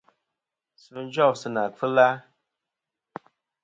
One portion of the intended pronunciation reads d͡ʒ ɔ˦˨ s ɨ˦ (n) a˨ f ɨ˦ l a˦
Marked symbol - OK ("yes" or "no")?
yes